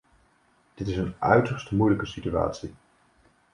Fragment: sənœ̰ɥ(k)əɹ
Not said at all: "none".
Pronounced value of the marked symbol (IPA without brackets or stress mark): t